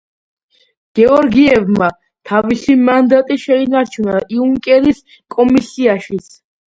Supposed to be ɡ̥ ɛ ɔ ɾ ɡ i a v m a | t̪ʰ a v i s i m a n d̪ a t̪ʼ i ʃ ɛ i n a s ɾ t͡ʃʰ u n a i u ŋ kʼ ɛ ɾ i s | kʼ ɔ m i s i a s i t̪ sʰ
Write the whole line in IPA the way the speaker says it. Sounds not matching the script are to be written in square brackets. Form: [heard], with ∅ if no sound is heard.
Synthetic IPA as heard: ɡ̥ ɛ ɔ ɾ ɡ i [ɛ] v m a | t̪ʰ a v i s i m a n d̪ a t̪ʼ i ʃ ɛ i n a [∅] ɾ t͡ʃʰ u n a i u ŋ kʼ ɛ ɾ i s | kʼ ɔ m i s i a [ʃ] i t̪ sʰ